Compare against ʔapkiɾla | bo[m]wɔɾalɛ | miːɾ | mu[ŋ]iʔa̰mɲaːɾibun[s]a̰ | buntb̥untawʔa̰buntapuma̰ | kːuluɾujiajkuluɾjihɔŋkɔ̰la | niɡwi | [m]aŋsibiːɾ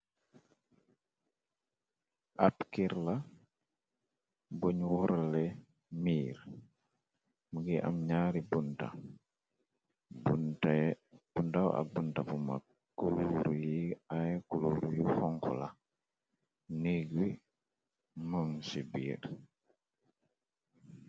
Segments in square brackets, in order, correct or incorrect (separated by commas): incorrect, incorrect, incorrect, correct